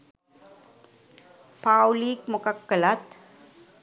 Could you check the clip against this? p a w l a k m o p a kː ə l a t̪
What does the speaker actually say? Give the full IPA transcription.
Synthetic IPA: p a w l i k m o k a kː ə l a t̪